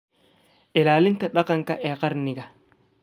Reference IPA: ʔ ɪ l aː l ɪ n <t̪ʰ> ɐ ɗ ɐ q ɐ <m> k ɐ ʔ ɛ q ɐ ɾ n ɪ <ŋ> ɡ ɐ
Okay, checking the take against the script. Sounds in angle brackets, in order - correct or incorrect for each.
incorrect: t̪, incorrect: ŋ, incorrect: none

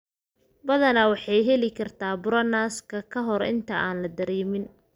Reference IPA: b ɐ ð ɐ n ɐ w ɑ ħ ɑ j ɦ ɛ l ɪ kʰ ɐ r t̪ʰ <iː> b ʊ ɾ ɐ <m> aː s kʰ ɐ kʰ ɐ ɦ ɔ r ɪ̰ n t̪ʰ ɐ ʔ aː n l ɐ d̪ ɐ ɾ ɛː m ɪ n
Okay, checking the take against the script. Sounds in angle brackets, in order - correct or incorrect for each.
incorrect: aː, incorrect: n

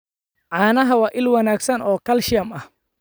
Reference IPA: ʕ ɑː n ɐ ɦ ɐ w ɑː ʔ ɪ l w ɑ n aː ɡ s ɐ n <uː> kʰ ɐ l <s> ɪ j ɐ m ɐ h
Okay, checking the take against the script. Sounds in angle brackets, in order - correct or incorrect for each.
incorrect: ɔː, incorrect: ʃ

